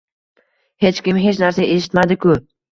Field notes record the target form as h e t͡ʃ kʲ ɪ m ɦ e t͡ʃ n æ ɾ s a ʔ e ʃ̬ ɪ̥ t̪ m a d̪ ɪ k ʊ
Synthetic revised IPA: h e t͡ʃ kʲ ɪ m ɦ e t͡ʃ n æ ɾ s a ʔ e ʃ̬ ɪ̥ t̪ m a d̪ ɪ k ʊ